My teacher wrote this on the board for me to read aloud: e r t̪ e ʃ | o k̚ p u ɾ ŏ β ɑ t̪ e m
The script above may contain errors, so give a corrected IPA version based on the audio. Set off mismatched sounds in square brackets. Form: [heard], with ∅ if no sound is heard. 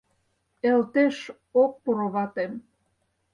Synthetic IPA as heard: e [l] t̪ e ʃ | o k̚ p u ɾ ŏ β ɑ t̪ e m